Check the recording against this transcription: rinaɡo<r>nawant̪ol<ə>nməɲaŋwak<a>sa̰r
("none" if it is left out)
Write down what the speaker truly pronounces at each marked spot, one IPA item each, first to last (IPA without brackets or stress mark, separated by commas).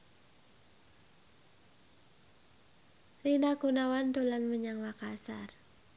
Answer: none, a, a